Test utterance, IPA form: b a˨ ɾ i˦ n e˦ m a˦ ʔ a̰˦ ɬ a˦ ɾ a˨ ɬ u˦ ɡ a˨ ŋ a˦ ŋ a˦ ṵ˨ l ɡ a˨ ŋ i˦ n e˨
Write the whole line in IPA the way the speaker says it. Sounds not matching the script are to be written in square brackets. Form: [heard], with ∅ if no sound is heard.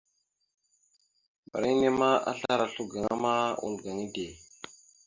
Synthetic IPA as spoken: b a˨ ɾ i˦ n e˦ m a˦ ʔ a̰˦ ɬ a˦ ɾ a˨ ɬ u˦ ɡ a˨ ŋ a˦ [m] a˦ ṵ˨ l ɡ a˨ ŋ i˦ [d] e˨